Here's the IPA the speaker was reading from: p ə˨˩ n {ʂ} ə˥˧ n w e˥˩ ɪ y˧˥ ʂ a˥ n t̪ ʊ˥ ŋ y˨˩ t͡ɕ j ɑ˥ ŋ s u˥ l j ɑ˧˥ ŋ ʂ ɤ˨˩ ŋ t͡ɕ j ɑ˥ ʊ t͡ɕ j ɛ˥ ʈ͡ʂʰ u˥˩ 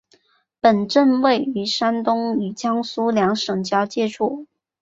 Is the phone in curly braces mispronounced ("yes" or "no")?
yes